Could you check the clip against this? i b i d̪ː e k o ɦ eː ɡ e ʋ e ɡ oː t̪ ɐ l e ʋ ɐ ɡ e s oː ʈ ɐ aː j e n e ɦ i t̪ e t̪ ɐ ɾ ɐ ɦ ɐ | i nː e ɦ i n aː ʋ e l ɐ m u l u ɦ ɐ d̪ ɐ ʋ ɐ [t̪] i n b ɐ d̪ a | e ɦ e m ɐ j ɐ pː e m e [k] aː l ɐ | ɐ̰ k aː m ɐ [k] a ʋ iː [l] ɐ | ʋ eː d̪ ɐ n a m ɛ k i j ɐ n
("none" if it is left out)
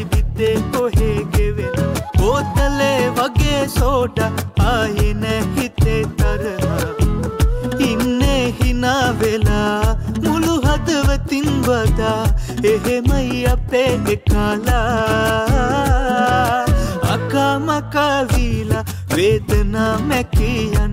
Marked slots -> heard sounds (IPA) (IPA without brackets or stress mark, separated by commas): t̪, k, k, l